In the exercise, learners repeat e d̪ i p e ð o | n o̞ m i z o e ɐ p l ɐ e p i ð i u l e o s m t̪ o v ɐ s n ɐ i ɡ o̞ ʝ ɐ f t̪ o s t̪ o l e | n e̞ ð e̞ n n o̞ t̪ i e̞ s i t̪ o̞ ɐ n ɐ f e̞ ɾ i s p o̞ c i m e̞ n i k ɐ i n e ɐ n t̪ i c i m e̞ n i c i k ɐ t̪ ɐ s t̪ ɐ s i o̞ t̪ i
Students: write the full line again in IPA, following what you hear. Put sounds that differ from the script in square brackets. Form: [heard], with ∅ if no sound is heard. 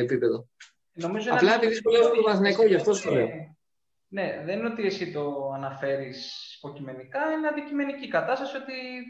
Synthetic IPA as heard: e [t̪] i p e ð o | n o̞ m i z o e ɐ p l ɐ e p i ð i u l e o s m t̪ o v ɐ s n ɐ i [k] o̞ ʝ ɐ f t̪ o s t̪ o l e | n e̞ ð e̞ n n o̞ t̪ i e̞ s i t̪ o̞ ɐ n ɐ f e̞ ɾ i s p o̞ c i m e̞ n i k ɐ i n e ɐ n [d̪] i c i m e̞ n i c i k ɐ t̪ ɐ s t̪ ɐ s i o̞ t̪ i